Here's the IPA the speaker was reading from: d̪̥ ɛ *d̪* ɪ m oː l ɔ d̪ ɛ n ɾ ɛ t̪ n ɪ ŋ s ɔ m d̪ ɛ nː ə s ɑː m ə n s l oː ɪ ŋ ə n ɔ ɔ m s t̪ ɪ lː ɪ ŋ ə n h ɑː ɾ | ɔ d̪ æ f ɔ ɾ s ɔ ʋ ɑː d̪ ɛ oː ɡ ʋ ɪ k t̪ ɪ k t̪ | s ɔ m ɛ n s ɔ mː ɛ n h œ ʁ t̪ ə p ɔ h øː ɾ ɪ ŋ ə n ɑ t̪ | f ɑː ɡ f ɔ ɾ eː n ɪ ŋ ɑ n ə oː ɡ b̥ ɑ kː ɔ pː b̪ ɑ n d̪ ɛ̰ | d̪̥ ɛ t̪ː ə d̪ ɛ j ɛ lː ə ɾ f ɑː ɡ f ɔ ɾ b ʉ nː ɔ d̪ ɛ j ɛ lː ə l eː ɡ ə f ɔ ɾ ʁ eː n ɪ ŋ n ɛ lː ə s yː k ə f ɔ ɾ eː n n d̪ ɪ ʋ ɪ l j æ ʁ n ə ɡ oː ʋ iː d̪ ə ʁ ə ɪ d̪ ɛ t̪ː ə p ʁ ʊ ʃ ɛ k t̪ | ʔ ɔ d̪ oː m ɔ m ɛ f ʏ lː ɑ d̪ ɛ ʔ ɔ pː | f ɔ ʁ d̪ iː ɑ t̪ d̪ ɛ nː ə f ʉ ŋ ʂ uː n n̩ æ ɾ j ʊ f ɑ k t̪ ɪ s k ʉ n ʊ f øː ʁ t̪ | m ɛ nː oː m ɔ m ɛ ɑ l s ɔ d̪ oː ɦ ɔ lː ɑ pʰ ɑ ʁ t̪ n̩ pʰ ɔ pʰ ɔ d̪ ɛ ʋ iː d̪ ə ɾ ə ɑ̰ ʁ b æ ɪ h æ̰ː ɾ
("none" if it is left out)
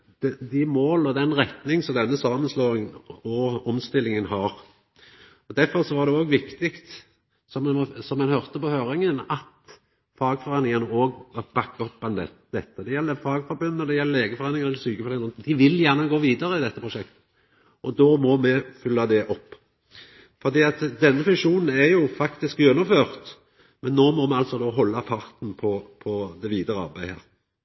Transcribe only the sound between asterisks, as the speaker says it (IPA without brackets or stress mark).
d̪